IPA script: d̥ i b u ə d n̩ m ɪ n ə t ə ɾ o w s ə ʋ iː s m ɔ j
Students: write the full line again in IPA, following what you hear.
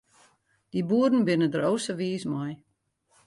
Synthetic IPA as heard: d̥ i b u ə d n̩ b ɪ n ə d ə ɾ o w s ə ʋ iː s m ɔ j